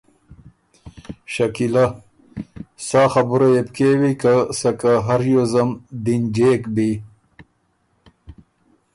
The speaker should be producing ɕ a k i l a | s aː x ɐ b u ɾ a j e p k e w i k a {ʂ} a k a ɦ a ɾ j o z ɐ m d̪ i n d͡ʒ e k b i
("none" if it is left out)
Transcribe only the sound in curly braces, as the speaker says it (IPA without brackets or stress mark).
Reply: s